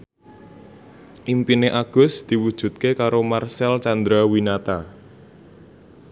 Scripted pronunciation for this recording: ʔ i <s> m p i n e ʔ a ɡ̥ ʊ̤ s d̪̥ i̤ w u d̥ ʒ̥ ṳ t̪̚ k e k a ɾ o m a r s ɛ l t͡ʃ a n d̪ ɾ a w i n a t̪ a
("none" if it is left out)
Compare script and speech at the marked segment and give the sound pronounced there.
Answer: none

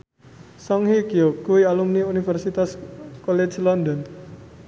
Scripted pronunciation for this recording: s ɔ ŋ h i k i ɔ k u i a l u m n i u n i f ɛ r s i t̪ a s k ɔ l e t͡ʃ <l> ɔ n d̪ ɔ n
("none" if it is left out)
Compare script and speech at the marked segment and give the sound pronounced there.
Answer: l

